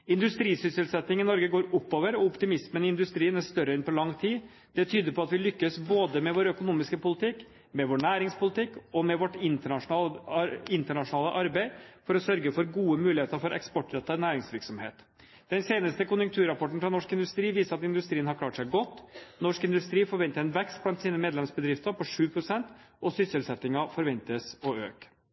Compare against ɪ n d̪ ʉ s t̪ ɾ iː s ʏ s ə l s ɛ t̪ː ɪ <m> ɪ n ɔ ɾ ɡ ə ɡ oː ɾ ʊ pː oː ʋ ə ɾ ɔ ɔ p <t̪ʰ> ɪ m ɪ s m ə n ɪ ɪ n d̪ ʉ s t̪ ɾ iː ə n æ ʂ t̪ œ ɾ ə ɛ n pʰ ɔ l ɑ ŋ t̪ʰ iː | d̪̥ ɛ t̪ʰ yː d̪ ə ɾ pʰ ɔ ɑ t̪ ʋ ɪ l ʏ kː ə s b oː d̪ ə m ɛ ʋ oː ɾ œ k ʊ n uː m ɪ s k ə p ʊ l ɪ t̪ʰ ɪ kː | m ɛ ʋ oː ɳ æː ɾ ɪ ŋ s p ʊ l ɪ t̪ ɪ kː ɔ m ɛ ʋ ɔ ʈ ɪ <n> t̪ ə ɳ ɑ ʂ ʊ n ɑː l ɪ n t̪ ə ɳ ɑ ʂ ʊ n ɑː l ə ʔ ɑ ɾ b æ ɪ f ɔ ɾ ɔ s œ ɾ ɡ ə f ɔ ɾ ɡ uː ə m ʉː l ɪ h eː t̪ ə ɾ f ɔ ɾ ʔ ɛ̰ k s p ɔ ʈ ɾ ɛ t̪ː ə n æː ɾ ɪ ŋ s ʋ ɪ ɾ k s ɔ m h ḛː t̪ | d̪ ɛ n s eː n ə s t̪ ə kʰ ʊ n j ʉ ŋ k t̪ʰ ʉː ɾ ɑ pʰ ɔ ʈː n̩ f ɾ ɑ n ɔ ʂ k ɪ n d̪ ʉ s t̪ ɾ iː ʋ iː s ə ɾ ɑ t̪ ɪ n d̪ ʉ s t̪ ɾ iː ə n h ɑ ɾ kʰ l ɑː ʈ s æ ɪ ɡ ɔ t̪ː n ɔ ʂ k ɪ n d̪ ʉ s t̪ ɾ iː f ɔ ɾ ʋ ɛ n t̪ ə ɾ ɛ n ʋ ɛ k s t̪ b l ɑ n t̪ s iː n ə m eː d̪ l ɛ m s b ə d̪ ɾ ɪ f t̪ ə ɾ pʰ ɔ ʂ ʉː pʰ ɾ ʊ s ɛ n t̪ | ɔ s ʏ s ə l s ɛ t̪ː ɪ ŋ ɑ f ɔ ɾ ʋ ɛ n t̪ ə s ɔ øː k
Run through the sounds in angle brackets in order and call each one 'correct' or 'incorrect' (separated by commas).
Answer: incorrect, incorrect, correct